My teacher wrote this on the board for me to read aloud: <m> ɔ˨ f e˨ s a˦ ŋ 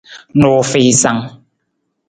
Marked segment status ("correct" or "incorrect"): incorrect